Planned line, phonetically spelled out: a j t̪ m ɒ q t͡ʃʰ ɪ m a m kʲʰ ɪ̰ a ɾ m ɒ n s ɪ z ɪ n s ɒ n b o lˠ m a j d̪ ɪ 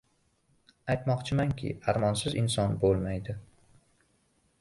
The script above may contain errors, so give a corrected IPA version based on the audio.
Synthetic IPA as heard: a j t̪ m ɒ q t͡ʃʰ ɪ m a ŋ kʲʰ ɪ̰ a ɾ m ɒ n s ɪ z ɪ n s ɒ n b o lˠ m a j d̪ ɪ